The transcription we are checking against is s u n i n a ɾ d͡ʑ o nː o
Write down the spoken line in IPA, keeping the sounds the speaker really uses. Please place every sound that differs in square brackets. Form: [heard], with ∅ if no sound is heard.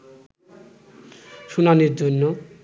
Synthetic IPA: [ʃ] u n [a] n [i] ɾ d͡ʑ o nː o